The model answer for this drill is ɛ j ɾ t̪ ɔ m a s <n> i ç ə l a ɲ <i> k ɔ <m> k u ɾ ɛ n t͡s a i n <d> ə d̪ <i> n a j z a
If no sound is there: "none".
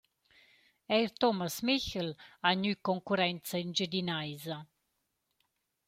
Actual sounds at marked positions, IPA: m, y, ŋ, d͡ʒ, i

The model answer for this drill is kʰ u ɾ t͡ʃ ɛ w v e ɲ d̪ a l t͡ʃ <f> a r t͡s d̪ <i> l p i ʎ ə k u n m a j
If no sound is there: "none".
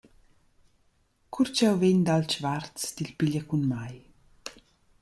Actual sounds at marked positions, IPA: v, i

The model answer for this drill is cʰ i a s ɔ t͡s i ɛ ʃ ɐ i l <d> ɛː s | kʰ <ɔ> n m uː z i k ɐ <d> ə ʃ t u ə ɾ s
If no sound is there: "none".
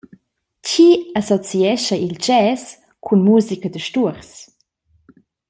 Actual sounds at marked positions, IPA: d͡ʒ, u, d

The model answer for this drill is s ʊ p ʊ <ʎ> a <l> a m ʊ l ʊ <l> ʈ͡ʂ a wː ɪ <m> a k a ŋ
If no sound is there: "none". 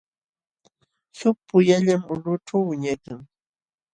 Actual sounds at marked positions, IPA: j, ʎ, none, ɲ

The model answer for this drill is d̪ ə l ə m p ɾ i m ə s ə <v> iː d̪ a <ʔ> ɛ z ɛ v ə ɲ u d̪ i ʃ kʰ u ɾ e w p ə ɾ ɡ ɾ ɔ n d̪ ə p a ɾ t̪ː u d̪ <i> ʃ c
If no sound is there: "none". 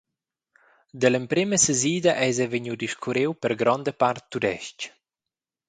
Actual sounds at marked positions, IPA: z, ʔ, ɛ

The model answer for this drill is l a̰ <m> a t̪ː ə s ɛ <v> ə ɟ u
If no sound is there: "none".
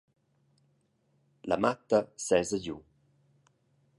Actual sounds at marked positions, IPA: m, z

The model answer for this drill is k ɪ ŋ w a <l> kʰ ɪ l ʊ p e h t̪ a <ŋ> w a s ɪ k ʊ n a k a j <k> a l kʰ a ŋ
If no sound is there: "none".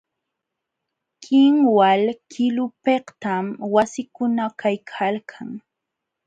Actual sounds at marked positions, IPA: l, m, kʰ

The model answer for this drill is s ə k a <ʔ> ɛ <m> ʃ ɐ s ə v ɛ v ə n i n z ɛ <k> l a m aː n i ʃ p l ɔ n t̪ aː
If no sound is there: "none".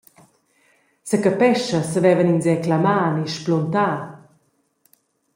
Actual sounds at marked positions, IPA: p, none, k

